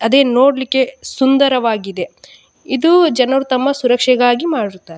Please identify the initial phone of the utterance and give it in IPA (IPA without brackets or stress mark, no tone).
ɐ